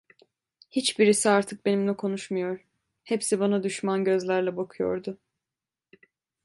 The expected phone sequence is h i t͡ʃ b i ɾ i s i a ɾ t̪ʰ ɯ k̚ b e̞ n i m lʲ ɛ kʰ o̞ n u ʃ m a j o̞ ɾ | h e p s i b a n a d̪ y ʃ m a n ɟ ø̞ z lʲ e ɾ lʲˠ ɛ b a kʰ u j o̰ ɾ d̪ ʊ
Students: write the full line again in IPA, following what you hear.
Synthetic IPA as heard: h i t͡ʃ b i ɾ i s i a ɾ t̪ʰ ɯ k̚ b e̞ n i m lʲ ɛ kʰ o̞ n u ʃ m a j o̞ ɾ | h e p s i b a n a d̪ y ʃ m a n ɟ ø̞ z lʲ æ ɾ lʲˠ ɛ b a kʰ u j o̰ ɾ d̪ ʊ